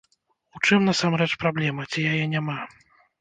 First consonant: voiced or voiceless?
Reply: voiceless